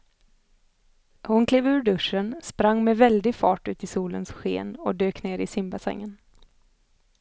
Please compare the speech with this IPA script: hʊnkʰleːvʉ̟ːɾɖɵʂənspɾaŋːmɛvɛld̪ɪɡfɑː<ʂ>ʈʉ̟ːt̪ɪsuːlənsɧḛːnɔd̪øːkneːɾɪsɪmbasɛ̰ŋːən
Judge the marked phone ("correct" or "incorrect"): incorrect